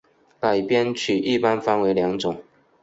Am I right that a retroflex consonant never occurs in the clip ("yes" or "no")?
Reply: yes